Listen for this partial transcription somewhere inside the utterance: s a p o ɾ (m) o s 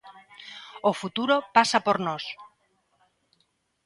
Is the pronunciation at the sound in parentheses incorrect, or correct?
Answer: incorrect